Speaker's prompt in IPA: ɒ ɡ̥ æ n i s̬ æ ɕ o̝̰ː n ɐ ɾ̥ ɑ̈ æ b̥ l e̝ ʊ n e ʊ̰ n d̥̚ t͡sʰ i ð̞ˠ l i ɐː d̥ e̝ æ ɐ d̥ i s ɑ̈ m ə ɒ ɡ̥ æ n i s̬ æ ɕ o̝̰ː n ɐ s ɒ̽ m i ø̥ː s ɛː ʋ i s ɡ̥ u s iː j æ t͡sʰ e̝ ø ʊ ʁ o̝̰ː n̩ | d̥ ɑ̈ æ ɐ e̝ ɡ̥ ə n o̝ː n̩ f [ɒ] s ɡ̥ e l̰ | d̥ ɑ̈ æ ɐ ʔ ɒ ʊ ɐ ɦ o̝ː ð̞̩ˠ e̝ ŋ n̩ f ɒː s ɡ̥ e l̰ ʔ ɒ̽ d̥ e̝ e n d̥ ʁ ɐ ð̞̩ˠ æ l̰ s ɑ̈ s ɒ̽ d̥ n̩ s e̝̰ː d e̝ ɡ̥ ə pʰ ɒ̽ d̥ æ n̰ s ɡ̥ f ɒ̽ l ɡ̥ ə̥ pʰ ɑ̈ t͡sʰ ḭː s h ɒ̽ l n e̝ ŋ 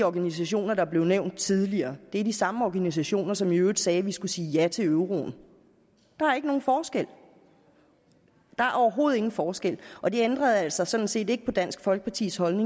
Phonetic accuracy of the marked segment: incorrect: ɒː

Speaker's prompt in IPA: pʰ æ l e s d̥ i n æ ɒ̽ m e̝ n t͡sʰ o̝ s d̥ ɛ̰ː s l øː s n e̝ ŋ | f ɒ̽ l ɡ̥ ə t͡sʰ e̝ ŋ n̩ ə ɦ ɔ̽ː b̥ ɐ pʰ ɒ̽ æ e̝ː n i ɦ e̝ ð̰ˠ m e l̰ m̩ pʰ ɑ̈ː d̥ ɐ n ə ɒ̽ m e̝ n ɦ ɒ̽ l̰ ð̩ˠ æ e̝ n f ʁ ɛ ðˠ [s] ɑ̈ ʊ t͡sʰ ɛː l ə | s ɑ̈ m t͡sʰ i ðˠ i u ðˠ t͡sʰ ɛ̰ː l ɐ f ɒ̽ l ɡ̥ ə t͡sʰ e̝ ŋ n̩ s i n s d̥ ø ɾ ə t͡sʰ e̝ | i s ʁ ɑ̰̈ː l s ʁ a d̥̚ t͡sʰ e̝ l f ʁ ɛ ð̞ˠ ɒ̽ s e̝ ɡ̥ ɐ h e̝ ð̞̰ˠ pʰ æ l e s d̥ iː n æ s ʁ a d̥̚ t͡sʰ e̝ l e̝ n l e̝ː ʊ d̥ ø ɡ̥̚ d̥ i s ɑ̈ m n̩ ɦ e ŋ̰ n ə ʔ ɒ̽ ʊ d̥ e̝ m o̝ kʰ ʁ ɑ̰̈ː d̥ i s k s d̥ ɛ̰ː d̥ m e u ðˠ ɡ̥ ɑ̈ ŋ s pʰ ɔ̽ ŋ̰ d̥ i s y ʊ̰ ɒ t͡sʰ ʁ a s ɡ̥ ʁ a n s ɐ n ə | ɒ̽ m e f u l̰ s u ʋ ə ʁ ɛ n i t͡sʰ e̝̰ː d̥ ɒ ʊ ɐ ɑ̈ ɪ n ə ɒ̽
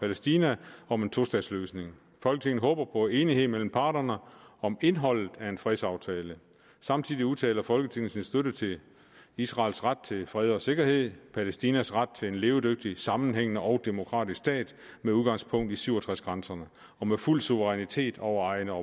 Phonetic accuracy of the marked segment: correct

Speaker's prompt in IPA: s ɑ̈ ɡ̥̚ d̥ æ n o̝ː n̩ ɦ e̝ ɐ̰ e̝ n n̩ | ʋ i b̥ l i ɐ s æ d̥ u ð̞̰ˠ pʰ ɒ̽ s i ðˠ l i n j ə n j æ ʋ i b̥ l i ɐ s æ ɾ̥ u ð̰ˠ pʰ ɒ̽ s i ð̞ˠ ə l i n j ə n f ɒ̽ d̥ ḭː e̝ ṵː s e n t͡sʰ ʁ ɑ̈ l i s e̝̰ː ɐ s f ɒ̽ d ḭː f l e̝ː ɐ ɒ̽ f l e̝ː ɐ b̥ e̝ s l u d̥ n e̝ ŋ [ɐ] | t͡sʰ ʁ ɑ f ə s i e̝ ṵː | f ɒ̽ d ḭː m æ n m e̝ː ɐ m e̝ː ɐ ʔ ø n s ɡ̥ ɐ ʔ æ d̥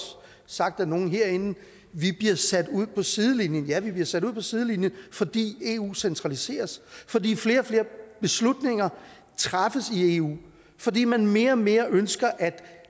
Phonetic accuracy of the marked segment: correct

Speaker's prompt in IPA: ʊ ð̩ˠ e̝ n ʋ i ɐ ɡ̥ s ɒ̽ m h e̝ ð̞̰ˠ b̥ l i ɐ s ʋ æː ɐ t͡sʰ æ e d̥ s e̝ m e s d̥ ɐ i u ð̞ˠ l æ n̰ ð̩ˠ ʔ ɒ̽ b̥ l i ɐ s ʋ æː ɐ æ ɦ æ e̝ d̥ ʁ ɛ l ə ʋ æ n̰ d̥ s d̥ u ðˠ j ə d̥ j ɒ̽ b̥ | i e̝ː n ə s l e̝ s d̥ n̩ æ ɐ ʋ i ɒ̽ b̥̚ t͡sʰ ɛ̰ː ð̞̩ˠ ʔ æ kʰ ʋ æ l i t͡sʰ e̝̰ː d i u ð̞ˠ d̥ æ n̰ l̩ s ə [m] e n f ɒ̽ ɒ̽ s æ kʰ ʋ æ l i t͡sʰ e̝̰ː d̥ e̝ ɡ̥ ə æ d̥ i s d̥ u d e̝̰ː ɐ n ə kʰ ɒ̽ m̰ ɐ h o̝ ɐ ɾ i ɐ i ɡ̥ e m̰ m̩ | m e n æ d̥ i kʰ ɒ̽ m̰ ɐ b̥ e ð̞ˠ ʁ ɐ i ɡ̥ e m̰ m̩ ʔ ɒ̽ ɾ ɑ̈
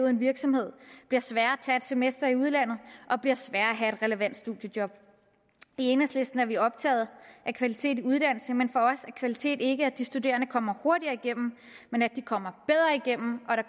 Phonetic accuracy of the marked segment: correct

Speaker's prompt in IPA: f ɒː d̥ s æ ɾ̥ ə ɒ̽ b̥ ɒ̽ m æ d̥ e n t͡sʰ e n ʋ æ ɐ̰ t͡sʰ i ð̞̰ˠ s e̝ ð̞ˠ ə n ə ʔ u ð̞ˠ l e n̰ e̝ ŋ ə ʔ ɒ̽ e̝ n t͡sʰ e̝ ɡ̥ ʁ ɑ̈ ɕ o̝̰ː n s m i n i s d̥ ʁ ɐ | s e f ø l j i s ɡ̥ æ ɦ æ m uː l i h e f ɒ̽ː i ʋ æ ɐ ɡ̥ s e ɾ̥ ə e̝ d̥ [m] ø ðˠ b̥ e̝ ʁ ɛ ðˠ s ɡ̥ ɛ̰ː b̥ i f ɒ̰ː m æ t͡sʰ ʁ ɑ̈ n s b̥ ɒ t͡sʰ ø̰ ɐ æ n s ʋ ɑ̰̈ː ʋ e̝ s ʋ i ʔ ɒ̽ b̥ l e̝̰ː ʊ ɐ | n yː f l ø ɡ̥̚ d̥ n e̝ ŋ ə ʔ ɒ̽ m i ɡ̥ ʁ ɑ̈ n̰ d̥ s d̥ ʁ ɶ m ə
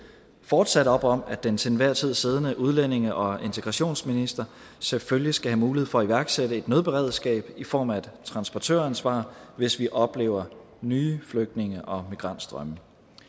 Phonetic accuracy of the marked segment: incorrect: n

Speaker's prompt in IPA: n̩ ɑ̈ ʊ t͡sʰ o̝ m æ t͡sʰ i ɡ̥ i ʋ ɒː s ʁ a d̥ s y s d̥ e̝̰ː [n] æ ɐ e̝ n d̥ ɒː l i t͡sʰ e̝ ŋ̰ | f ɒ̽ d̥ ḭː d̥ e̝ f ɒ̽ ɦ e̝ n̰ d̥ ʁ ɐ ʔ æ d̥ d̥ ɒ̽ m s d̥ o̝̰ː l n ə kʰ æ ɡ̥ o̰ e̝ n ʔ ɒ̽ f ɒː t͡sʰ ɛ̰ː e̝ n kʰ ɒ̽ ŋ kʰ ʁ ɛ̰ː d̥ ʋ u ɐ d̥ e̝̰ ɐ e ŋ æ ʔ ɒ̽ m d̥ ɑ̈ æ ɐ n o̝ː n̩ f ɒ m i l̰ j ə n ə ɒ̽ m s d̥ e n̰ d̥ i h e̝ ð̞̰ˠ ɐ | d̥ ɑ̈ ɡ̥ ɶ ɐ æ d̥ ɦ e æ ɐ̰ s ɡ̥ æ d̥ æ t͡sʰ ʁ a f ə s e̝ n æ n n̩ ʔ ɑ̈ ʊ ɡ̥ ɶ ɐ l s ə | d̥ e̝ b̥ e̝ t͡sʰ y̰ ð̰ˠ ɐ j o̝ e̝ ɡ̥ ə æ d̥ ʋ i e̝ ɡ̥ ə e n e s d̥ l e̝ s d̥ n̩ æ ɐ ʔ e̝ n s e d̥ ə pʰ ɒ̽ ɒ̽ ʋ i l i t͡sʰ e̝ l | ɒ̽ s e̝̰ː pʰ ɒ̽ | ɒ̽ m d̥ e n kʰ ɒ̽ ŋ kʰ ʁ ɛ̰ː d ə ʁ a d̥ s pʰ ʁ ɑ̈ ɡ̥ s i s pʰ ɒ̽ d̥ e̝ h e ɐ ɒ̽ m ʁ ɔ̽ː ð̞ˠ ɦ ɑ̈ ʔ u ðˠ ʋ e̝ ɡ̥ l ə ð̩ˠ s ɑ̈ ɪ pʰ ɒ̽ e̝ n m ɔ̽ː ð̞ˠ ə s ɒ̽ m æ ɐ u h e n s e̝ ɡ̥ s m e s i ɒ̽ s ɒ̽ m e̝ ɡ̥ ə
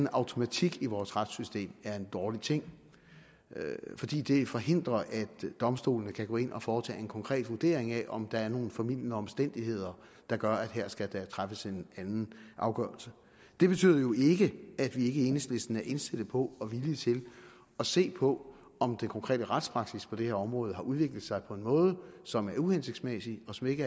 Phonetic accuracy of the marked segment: incorrect: m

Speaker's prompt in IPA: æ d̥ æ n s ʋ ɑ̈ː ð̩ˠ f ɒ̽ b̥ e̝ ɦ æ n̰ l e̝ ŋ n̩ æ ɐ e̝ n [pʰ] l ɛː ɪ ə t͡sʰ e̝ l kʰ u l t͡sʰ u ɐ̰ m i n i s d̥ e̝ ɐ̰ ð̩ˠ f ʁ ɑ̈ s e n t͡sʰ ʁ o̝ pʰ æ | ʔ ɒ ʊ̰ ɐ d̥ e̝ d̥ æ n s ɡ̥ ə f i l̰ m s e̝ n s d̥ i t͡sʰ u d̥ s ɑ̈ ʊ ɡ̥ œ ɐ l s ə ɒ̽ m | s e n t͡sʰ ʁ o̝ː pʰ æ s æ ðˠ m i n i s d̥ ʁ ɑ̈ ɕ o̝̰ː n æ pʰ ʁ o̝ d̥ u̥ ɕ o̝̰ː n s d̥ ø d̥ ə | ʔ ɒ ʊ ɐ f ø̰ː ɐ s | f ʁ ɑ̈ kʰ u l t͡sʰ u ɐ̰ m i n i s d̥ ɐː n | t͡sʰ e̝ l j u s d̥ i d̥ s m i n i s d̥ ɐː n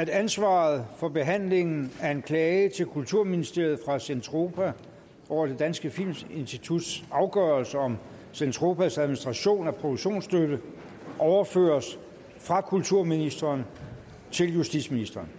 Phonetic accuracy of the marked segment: incorrect: kʰ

